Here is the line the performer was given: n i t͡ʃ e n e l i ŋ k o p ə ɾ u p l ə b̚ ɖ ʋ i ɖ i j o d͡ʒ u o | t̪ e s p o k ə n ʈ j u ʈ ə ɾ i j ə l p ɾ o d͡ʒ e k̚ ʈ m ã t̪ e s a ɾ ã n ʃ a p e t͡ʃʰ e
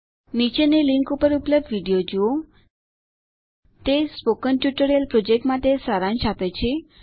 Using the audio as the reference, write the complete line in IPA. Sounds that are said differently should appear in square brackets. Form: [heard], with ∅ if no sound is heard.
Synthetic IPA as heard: n i t͡ʃ e n e l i ŋ k [u] p ə ɾ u p l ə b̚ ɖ ʋ i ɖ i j o d͡ʒ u o | t̪ e s p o k ə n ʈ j u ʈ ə ɾ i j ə l p ɾ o d͡ʒ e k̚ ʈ m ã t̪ e s a ɾ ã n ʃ a p e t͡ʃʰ e

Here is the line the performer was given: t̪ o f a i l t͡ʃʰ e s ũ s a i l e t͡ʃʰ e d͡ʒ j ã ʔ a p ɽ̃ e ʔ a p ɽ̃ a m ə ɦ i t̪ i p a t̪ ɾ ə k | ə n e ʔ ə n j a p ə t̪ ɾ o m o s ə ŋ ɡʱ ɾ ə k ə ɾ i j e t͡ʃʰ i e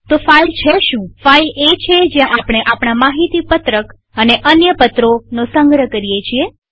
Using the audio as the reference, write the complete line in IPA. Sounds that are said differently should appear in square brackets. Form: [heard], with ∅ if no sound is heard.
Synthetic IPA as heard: t̪ o f a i l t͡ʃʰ e [ʃ] ũ [f] a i l e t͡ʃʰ e d͡ʒ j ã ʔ a p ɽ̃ e ʔ a p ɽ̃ a m [a] ɦ i t̪ i p [ə] t̪ ɾ ə k | ə n e ʔ ə n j [ə] p ə t̪ ɾ o [n] o s ə ŋ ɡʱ ɾ ə k ə ɾ i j e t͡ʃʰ i e

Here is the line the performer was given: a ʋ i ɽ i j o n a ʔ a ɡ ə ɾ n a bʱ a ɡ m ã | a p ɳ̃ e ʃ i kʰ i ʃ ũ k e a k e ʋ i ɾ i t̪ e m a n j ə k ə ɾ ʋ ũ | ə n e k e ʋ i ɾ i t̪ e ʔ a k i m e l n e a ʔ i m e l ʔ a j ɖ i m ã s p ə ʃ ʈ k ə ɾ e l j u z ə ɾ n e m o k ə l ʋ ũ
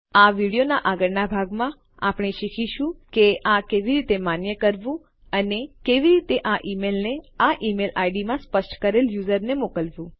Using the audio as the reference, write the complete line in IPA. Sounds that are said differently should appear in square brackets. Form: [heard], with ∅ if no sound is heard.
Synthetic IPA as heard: a ʋ i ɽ i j o n a ʔ a ɡ ə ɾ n a bʱ a ɡ m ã | a p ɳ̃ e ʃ i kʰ i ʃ ũ k e a k e ʋ i ɾ i t̪ e m a n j ə k ə ɾ ʋ ũ | ə n e k e ʋ i ɾ i t̪ e ʔ a [ʔ] i m e l n e a ʔ i m e l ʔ a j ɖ i m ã s p ə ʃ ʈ k ə ɾ e l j u z ə ɾ n e m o k ə l ʋ ũ

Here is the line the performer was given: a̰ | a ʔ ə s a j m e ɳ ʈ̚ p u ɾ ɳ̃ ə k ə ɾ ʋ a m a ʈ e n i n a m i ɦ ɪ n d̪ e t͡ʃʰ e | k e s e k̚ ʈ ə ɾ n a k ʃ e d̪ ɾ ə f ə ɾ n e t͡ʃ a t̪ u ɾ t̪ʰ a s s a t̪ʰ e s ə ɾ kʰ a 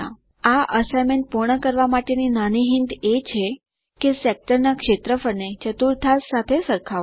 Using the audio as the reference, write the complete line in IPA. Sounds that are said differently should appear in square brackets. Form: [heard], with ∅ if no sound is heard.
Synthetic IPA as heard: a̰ | a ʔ ə s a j m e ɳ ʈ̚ p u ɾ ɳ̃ ə k ə ɾ ʋ a m a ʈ e n i n a [n] i ɦ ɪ n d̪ e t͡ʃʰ e | k e s e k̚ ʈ ə ɾ n a k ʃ e [t̪] ɾ ə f ə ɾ n e t͡ʃ [ə] t̪ u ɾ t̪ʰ a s s a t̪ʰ e s ə ɾ kʰ a

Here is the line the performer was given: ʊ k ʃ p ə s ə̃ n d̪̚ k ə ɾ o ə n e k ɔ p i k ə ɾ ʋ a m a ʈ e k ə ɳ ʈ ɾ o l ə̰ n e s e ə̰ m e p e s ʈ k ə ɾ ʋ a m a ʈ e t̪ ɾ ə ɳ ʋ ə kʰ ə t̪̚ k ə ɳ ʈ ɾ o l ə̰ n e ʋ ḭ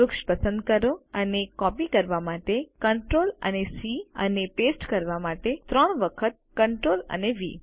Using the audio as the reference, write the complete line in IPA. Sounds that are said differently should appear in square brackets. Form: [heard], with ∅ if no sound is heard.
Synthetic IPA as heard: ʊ k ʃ p ə s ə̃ n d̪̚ k ə ɾ o ə n e k ɔ p i k ə ɾ ʋ a m a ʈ e k ə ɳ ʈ ɾ o l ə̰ n e s [i] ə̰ [n] e p e s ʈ k ə ɾ ʋ a m a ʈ e t̪ ɾ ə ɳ ʋ ə kʰ ə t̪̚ k ə ɳ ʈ ɾ o l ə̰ n e ʋ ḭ

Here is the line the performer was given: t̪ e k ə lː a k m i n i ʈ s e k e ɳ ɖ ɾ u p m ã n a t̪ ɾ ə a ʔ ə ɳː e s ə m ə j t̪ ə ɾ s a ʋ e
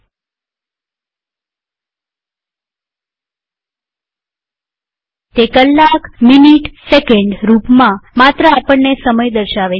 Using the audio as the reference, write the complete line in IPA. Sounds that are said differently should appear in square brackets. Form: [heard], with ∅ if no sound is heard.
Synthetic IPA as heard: t̪ e k ə lː a k m i n i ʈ s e k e ɳ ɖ ɾ u p m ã [m] a t̪ ɾ ə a [p] ə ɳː e s ə m ə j [d̪] ə ɾ [ʃ] a ʋ e

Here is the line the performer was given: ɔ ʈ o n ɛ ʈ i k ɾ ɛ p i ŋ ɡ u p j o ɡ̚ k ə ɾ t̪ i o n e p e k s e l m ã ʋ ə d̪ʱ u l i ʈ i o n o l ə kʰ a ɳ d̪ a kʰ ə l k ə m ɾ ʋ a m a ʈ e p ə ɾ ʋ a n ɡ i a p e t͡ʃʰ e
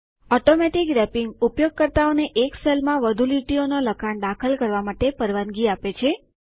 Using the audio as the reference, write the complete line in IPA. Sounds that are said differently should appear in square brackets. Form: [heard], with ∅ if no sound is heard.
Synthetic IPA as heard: ɔ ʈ o [m] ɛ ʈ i k ɾ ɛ p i ŋ ɡ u p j o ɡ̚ k ə ɾ t̪ [a] o n e [ʔ] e k s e l m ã ʋ ə d̪ʱ u l i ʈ i o n o l ə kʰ a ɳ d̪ a kʰ ə l k ə [∅] ɾ ʋ a m a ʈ e p ə ɾ ʋ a n ɡ i a p e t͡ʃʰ e

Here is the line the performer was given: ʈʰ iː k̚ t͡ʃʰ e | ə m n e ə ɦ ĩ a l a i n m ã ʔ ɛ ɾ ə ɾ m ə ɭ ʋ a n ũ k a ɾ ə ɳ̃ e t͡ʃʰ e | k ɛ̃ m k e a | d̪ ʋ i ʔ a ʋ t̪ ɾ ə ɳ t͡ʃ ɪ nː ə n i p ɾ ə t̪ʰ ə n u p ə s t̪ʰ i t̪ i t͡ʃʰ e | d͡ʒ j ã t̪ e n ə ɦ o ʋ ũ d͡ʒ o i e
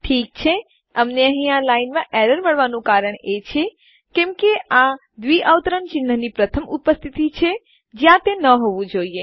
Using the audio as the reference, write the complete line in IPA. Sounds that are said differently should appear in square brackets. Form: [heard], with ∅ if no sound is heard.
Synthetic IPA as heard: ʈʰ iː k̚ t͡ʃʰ e | ə m n e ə ɦ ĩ a l a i n m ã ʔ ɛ ɾ ə ɾ m ə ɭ ʋ a n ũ k a ɾ ə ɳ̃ e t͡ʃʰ e | k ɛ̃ m k e a | d̪ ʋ i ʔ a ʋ t̪ ɾ ə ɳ t͡ʃ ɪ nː ə n i p ɾ ə t̪ʰ ə [m] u p ə s t̪ʰ i t̪ i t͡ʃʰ e | d͡ʒ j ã t̪ e n ə ɦ o ʋ ũ d͡ʒ o i e

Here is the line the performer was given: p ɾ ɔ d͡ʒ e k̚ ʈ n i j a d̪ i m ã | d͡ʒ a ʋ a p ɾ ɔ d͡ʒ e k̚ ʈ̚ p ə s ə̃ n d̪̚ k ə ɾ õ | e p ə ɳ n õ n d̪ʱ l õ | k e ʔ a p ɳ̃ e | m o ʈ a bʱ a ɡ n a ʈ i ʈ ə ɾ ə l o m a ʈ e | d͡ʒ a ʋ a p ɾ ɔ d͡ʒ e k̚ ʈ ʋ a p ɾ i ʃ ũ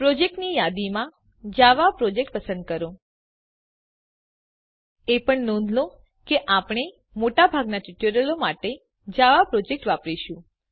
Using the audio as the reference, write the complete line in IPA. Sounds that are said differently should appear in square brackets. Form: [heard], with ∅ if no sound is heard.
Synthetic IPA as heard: p ɾ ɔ d͡ʒ e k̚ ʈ n i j a d̪ i m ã | d͡ʒ a ʋ a p ɾ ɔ d͡ʒ e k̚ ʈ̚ p ə s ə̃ n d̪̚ k ə ɾ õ | e p ə ɳ n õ n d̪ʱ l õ | k e ʔ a p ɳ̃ e | m o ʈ a bʱ a ɡ n a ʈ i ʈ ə ɾ ə l o m a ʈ e | d͡ʒ a ʋ a p ɾ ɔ d͡ʒ e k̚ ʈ ʋ a p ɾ i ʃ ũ

